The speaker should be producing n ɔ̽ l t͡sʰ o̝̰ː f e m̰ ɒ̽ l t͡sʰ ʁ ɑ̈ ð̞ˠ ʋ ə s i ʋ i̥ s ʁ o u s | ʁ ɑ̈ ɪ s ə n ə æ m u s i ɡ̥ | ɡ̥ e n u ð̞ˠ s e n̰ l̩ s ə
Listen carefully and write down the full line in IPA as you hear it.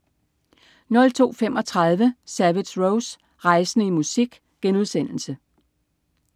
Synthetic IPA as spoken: n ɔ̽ l t͡sʰ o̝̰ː f e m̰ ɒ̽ t͡sʰ ʁ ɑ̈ ð̞ˠ ʋ ə s æ ʋ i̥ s ʁ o ʊ s | ʁ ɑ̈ ɪ s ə n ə i m u s i ɡ̥ | ɡ̥ e n u ð̞ˠ s e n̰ l̩ s ə